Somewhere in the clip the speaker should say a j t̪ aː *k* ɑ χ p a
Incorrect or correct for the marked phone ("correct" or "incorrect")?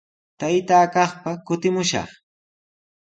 correct